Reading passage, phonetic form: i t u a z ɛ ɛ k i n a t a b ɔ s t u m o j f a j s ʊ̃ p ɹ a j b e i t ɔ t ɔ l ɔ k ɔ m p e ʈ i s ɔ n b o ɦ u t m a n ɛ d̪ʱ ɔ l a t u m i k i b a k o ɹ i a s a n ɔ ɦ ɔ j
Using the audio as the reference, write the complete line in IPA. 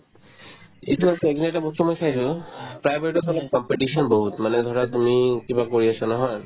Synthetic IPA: i t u a s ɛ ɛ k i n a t a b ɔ s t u m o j s a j s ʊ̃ p ɹ a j b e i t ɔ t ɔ l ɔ k ɔ m p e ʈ i s ɔ n b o ɦ u t m a n ɛ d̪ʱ ɔ ɹ a t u m i k i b a k o ɹ i a s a n ɔ ɦ ɔ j